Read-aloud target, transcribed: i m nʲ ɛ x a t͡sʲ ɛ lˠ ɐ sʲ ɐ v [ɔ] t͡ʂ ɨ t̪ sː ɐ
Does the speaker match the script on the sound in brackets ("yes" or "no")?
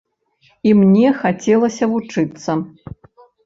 no